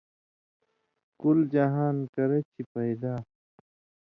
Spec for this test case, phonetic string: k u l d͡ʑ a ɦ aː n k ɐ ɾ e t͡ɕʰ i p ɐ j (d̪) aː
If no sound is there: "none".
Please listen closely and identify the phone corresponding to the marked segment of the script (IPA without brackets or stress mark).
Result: d̪